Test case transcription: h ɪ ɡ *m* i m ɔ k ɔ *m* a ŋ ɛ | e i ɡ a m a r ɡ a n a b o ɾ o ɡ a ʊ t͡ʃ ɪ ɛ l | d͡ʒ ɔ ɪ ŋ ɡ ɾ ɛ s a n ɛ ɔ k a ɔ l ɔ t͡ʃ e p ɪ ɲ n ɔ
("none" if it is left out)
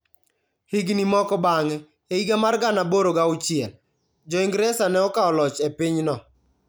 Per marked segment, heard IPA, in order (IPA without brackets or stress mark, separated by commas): n, b